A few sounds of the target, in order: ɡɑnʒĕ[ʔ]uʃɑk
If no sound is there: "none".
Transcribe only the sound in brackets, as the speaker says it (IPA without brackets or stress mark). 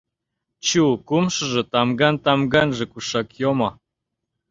k